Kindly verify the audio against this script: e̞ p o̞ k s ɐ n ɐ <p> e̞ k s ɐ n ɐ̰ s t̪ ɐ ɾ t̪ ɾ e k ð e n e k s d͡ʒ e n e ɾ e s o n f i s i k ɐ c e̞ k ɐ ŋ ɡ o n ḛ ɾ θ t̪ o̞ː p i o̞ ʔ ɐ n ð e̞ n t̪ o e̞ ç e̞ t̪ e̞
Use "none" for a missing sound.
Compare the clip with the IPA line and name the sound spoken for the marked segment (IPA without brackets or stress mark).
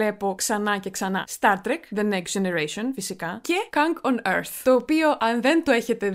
c